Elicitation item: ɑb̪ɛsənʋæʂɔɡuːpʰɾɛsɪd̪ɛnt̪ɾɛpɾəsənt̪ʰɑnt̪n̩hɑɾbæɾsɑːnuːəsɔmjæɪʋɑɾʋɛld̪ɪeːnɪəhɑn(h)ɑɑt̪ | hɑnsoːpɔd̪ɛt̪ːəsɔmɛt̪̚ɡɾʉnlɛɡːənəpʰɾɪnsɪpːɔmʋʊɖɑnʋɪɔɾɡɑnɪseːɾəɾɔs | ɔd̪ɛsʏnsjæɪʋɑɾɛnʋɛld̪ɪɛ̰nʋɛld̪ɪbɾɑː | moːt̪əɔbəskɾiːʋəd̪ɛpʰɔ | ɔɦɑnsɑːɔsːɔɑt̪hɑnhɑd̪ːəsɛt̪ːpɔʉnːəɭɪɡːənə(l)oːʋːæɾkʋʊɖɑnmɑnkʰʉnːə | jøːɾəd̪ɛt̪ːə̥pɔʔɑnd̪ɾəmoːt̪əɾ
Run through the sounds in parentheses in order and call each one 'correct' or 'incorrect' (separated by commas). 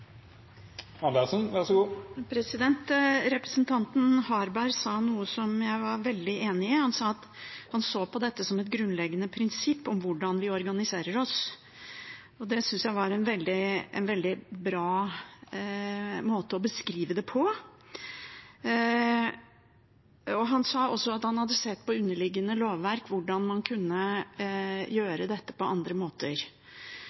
incorrect, correct